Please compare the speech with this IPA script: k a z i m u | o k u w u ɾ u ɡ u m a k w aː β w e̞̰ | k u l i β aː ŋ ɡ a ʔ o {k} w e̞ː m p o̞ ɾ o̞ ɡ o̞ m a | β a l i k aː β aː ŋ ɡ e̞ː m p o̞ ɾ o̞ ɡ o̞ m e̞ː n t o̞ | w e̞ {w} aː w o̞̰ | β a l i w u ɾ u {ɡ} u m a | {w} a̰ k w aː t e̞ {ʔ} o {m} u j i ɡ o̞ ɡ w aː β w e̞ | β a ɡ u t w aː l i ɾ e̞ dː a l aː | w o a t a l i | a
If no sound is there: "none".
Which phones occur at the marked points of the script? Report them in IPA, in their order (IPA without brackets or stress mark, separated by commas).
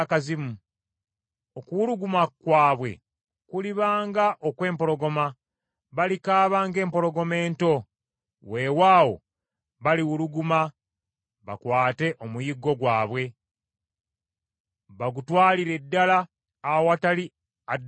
k, w, ɡ, β, ʔ, m